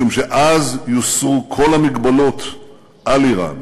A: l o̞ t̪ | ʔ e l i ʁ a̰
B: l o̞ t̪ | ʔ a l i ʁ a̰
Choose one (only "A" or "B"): B